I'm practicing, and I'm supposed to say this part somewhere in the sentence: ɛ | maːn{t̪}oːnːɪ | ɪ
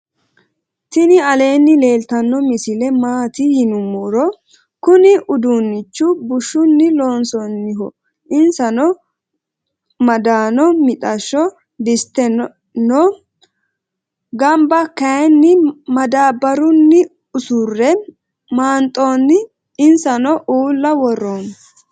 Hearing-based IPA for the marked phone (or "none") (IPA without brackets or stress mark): t̪ʼ